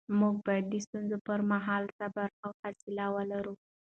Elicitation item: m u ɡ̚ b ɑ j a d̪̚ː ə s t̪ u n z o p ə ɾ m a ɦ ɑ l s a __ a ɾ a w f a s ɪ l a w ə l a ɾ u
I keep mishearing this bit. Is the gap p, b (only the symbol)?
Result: b